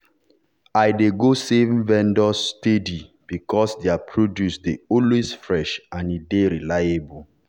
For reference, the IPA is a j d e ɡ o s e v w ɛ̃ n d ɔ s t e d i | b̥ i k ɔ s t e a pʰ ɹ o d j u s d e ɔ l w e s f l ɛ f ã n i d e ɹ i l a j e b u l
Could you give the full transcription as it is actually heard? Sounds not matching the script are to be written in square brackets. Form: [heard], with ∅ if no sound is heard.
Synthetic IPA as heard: a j d e ɡ o s e v [v] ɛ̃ n d ɔ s t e d i | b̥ i k ɔ s [d] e a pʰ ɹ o d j u s d e ɔ l w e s f [ɹ] ɛ [ʃ] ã n i d e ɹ i l a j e b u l